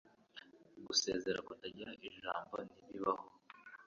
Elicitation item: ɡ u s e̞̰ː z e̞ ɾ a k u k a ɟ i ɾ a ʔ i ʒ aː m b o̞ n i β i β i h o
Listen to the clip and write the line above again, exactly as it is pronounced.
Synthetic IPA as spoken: ɡ u s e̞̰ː z e̞ ɾ a k u t a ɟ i ɾ a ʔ i ʒ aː m b o̞ n i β i β a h o